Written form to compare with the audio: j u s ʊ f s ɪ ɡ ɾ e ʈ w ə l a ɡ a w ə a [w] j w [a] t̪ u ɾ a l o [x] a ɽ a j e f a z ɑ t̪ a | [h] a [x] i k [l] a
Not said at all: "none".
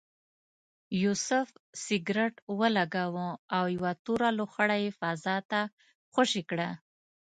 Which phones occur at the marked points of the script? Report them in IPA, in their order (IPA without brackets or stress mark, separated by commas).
w, a, x, x, ʃ, ɽ